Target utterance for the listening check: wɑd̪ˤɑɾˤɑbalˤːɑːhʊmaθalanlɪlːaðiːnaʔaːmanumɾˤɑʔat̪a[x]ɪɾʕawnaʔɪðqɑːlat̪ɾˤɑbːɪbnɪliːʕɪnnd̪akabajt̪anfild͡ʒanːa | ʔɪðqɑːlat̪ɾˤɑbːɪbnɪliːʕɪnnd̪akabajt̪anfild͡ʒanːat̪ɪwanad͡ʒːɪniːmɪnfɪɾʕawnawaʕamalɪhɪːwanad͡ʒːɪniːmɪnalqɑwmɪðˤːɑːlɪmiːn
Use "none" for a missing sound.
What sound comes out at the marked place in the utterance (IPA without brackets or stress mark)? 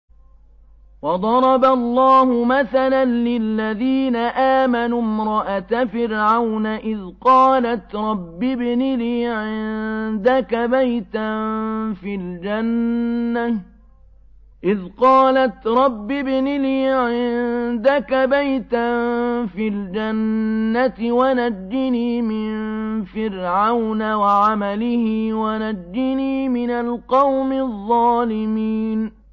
f